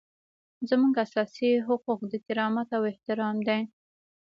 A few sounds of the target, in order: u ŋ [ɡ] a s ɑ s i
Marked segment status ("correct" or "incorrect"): correct